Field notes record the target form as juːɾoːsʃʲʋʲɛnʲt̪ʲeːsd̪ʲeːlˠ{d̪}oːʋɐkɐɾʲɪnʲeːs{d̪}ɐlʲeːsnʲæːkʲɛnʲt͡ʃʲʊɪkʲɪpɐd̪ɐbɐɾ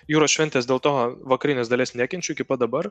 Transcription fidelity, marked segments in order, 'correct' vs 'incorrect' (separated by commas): incorrect, correct